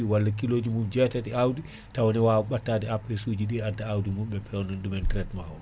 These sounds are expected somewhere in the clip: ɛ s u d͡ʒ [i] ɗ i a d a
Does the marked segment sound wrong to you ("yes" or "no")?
no